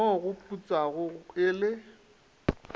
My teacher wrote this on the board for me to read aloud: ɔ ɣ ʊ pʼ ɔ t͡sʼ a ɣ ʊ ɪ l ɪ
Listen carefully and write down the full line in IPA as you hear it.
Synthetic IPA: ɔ ɣ ʊ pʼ u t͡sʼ a ɣ ʊ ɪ l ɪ